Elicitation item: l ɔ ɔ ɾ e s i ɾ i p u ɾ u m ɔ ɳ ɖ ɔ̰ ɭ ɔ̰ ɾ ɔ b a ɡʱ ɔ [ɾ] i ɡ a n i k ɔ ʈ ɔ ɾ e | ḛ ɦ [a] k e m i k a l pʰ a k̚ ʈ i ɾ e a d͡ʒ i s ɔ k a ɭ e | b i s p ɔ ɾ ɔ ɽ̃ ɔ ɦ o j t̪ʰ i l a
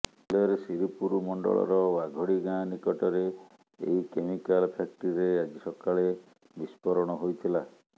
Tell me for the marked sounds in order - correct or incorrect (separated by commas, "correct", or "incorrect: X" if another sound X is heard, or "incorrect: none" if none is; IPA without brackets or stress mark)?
incorrect: ɽ, incorrect: i